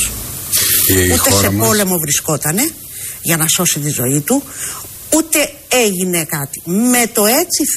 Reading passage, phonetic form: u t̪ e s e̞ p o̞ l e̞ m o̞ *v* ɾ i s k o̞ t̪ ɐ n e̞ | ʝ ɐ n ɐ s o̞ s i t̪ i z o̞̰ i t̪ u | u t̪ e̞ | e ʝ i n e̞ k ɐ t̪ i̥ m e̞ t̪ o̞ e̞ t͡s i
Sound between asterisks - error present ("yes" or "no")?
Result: no